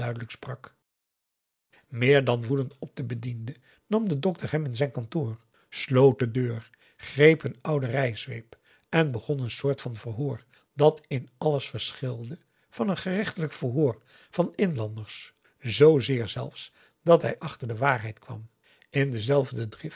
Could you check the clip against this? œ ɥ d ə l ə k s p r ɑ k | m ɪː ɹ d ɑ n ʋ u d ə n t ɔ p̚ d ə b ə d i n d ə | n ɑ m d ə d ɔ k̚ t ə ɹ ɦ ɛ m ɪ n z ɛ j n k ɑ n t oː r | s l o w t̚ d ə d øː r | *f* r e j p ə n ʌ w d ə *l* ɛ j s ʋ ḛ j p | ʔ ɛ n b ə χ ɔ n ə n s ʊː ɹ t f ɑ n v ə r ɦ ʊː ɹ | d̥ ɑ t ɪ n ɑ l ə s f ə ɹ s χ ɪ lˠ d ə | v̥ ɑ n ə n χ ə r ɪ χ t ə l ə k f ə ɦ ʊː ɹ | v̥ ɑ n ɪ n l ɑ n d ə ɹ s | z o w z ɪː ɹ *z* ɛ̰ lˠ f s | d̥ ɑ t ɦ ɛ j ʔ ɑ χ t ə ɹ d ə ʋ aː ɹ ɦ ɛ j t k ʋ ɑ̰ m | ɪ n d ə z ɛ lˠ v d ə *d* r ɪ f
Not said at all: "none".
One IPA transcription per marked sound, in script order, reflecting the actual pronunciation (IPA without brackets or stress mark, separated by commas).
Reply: χ, r, z, d